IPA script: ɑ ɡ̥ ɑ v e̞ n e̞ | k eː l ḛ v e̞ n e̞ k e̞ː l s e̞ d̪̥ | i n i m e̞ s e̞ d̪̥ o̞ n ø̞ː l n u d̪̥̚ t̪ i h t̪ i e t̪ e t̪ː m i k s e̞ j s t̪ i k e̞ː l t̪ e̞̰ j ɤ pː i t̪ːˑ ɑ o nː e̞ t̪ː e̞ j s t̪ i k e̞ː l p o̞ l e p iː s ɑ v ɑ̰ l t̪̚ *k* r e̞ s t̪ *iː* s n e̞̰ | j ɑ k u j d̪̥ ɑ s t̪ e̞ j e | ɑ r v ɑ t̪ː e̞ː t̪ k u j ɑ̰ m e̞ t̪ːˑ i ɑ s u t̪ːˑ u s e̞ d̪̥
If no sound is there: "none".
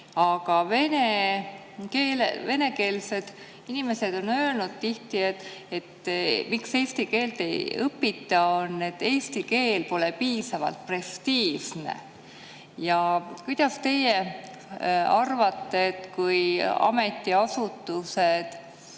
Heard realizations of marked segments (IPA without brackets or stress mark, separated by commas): p, iː